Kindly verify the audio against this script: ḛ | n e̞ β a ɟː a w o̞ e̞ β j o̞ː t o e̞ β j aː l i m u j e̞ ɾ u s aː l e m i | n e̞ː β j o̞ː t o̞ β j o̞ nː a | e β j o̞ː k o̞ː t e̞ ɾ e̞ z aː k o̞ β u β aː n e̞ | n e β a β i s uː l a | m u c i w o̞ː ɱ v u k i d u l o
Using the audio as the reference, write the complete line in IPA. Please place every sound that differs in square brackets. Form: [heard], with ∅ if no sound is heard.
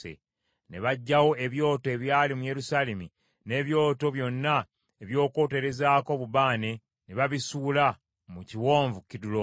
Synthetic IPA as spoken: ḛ | n e̞ β a ɟː a w o̞ e̞ β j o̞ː t o e̞ β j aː l i m u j e̞ ɾ u s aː l e m i | n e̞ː β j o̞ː t o̞ β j o̞ nː a | e β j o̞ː k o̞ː t e̞ ɾ e̞ z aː k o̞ β u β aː n e̞ | n e β a β i s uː l a | m u c i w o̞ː ɱ v u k i d u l o